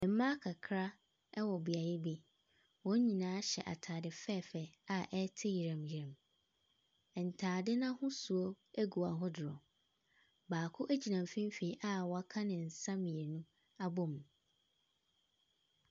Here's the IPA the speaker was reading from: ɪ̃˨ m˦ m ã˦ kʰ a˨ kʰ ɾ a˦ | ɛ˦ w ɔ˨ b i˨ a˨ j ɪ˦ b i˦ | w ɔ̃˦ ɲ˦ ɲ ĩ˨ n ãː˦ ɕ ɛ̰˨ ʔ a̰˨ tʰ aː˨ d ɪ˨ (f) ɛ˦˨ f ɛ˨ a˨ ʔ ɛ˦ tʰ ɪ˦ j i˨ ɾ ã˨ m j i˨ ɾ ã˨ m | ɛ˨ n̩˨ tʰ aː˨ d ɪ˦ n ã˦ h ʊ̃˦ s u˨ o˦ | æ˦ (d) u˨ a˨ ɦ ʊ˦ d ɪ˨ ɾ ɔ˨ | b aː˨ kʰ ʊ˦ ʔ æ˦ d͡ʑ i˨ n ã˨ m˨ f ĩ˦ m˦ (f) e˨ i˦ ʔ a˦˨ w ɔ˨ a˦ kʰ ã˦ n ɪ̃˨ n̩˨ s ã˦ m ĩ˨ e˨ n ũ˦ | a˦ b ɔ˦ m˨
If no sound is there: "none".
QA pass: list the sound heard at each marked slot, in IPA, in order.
f, ɡ, f

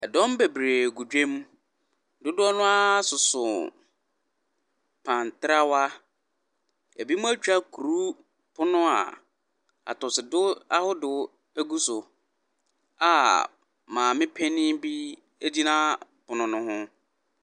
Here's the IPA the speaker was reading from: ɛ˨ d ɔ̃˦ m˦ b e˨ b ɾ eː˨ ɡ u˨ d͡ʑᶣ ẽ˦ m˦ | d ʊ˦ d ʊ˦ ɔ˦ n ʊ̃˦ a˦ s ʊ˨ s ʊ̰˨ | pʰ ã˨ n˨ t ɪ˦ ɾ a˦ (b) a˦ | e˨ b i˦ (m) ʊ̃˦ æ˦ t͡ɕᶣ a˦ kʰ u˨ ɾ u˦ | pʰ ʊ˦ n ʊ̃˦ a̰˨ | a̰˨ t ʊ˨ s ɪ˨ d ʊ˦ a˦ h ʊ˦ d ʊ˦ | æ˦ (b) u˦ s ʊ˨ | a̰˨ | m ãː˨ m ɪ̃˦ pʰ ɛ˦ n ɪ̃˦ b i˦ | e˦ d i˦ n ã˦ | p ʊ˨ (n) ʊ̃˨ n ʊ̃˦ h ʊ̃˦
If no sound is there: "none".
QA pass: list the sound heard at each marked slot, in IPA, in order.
w, m, ɡ, n

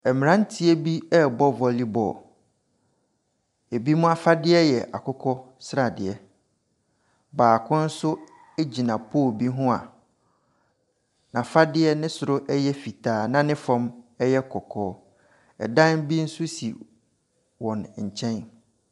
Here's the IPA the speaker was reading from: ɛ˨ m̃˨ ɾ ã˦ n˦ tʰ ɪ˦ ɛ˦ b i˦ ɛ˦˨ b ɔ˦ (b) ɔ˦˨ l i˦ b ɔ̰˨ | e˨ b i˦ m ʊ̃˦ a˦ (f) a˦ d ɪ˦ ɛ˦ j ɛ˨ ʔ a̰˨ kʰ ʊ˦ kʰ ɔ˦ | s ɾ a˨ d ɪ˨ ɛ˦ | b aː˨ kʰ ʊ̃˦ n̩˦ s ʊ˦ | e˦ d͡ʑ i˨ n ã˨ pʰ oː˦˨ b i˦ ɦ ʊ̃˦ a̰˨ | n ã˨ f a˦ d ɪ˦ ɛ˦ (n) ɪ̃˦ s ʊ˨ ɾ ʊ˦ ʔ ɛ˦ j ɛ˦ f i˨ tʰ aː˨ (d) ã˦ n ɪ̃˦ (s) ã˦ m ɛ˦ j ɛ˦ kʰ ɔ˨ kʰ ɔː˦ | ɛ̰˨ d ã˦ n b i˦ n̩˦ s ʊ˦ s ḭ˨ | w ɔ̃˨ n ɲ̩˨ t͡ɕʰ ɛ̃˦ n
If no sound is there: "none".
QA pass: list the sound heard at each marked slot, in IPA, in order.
v, f, n, n, f

